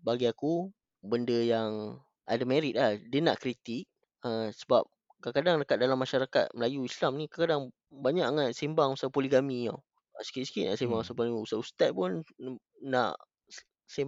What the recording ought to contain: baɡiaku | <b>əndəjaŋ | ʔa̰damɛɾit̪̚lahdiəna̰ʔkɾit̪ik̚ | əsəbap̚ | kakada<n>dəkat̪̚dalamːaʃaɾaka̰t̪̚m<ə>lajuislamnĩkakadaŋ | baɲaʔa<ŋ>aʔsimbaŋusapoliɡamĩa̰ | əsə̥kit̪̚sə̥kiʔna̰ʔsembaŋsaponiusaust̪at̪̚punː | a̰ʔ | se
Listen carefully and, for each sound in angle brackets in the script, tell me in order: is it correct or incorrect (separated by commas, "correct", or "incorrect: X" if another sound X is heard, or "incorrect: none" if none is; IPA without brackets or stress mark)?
correct, incorrect: ŋ, correct, correct